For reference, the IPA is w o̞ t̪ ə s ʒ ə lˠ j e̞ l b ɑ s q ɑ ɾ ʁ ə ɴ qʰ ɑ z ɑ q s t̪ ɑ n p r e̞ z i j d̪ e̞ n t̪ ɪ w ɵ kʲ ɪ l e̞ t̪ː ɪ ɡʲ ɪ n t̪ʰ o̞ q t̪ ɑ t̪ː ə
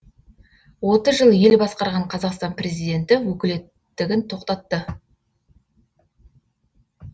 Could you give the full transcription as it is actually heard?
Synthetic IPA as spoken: w o̞ t̪ ə z ʒ ə lˠ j e̞ l b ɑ s q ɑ ɾ ʁ ɑ ɴ qʰ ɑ z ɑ q s t̪ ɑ n p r e̞ z i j d̪ e̞ n t̪ ɪ w ɵ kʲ ɪ l e̞ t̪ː ɪ ɡʲ ɪ n t̪ʰ o̞ q t̪ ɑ t̪ː ə